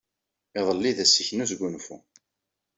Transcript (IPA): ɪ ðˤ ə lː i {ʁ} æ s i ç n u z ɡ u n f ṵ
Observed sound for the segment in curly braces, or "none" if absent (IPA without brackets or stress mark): ð